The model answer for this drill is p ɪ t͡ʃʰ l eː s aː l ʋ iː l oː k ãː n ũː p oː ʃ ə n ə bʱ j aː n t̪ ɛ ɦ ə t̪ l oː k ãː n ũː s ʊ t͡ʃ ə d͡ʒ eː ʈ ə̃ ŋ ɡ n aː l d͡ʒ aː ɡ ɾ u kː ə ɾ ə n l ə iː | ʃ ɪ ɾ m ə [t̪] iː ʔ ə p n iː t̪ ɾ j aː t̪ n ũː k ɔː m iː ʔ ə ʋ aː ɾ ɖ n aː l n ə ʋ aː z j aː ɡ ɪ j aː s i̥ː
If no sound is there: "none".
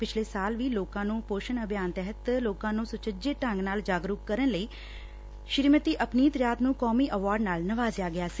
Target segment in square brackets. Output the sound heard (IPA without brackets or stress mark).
t̪